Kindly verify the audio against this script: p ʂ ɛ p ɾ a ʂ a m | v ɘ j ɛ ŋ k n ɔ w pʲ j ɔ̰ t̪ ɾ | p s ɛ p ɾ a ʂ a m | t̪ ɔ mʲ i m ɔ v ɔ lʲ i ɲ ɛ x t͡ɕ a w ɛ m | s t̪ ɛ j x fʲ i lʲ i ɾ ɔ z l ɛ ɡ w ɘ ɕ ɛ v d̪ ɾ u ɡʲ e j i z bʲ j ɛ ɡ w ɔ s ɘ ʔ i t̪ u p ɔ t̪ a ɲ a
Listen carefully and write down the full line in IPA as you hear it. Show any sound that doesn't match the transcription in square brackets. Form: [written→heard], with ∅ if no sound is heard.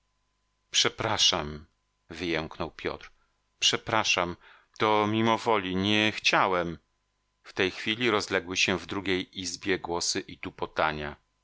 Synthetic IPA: p ʂ ɛ p ɾ a ʂ a m | v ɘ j ɛ ŋ k n ɔ w pʲ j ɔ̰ t̪ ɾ | p [s→ʂ] ɛ p ɾ a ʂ a m | t̪ ɔ mʲ i m ɔ v ɔ lʲ i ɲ ɛ x t͡ɕ a w ɛ m | [s→f] t̪ ɛ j x fʲ i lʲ i ɾ ɔ z l ɛ ɡ w ɘ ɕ ɛ v d̪ ɾ u ɡʲ e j i z bʲ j ɛ ɡ w ɔ s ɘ ʔ i t̪ u p ɔ t̪ a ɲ a